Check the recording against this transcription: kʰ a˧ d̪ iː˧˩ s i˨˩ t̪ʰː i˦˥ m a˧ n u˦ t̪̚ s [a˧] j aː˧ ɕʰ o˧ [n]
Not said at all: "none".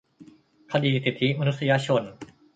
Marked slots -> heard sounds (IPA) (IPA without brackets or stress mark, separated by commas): i˧, n